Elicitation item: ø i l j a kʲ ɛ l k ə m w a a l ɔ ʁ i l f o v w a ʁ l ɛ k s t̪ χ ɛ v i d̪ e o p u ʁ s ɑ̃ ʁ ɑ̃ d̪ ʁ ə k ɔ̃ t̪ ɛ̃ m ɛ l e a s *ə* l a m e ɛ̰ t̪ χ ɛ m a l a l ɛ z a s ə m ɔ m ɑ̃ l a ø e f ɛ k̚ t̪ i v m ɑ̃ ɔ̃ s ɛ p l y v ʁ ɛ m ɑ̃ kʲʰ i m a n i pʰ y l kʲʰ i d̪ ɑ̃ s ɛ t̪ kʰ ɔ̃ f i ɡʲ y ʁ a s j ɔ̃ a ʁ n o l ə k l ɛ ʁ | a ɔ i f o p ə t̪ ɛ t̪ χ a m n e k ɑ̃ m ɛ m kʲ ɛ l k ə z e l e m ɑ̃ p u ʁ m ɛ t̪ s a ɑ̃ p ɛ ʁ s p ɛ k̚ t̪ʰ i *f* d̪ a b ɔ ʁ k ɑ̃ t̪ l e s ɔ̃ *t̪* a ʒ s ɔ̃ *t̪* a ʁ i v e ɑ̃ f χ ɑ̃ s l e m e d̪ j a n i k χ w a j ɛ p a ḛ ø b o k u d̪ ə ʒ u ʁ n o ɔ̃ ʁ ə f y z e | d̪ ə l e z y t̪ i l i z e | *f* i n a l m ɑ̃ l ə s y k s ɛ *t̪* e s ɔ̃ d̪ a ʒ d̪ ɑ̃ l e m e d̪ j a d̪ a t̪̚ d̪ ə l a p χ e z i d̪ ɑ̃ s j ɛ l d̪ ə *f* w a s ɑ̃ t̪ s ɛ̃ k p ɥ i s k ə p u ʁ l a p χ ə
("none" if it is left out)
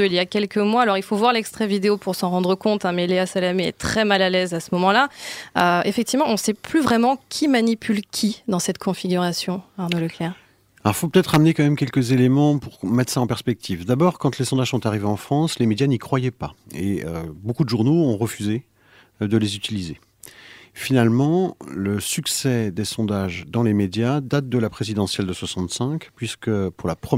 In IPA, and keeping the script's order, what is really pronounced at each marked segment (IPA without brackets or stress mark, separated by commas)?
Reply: a, v, d̪, t̪, f, d̪, s